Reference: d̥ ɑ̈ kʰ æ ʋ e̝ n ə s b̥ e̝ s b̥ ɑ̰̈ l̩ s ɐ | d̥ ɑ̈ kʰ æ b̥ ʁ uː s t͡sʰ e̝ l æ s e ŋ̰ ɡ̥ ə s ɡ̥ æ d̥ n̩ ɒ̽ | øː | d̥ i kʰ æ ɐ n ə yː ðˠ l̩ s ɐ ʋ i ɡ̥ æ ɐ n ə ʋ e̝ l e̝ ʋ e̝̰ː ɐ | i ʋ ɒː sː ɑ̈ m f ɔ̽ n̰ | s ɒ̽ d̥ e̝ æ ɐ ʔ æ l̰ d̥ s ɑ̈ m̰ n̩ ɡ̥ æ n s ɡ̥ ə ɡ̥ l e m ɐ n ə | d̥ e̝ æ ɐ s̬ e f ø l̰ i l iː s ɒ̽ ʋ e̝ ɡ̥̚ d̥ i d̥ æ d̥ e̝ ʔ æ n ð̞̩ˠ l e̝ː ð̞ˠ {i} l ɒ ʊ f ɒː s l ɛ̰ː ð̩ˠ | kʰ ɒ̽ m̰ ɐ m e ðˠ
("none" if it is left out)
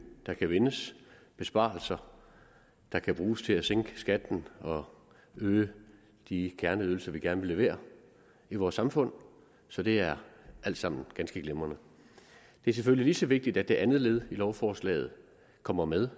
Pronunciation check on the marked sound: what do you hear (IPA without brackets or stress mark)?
i